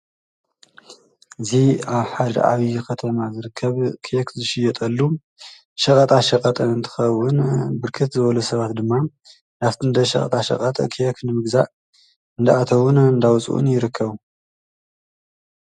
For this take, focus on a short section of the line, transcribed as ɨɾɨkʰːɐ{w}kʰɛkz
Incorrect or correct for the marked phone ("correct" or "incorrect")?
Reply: incorrect